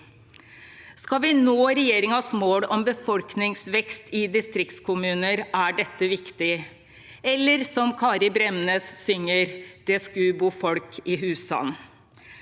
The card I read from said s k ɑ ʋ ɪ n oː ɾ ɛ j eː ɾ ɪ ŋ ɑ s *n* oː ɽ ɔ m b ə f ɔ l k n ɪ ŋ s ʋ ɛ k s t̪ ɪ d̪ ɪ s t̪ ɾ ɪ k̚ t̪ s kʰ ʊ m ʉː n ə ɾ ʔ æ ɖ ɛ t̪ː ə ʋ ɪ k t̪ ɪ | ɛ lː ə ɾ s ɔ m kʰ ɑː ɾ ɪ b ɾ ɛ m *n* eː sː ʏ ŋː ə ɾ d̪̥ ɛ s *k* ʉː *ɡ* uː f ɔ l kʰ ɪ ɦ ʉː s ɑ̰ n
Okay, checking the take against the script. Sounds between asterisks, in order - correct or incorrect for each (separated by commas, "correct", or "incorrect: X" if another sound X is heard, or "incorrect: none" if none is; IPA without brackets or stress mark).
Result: incorrect: m, correct, correct, incorrect: b